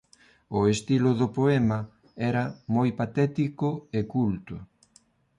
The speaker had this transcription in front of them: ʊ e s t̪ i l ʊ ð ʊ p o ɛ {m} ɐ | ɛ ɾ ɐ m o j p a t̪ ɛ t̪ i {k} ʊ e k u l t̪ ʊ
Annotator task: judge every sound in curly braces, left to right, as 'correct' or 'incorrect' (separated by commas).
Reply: correct, correct